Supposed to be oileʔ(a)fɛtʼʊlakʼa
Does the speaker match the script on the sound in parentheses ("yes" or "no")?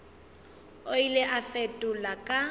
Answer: yes